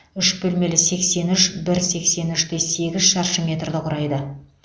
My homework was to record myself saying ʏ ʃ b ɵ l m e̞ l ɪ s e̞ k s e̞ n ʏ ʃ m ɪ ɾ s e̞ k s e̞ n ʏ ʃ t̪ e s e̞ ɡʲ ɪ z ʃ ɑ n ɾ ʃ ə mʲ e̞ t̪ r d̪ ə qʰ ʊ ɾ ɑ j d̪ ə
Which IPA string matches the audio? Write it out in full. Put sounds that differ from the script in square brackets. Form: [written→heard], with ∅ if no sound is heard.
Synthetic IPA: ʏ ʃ b ɵ l m e̞ l ɪ s e̞ k s e̞ n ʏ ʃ [m→b] ɪ ɾ s e̞ k s e̞ n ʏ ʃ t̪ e s e̞ ɡʲ ɪ z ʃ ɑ [n→∅] ɾ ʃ ə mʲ e̞ t̪ r d̪ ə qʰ ʊ ɾ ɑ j d̪ ə